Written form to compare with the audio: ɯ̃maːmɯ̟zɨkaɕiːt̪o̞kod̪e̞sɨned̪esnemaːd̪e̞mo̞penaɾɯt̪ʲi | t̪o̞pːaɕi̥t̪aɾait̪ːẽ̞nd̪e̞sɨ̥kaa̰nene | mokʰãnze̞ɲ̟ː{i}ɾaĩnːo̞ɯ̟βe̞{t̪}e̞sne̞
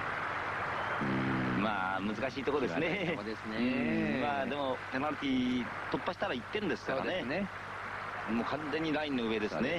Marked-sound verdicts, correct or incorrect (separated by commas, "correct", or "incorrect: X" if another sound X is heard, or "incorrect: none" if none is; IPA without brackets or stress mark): correct, incorrect: d̪